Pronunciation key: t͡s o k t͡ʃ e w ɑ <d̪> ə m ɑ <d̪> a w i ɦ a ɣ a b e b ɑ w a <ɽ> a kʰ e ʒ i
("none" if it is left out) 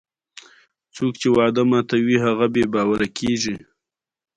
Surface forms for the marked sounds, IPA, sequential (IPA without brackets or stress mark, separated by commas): d̪, t̪, ɾ